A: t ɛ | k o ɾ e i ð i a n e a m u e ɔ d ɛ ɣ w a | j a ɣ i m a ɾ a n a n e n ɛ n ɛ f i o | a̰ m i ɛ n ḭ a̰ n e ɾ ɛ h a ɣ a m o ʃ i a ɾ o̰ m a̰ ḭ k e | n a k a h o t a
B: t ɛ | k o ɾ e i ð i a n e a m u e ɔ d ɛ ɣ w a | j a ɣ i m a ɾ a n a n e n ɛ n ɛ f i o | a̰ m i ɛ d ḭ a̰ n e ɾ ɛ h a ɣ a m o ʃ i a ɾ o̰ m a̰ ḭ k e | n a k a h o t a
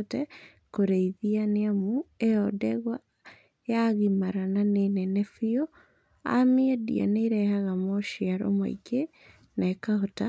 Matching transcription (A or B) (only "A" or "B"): B